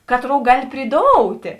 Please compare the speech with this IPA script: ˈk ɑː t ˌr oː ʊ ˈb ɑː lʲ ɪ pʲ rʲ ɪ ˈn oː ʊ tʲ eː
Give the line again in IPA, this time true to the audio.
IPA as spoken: ˈk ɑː t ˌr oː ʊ ˈɡ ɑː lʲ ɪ pʲ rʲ ɪ ˈd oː ʊ tʲ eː